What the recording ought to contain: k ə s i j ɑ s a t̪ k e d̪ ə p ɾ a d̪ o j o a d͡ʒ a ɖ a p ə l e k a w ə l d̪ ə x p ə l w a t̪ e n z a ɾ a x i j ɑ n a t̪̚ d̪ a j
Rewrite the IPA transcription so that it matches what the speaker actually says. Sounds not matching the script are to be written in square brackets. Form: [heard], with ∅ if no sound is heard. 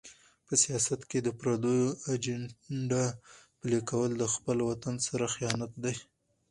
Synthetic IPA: [p] ə s i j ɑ s a t̪ k e d̪ ə p ɾ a d̪ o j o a d͡ʒ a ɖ a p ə l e k a w ə l d̪ ə x p ə l w a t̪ [a] n [s] a ɾ a x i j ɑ n a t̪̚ d̪ a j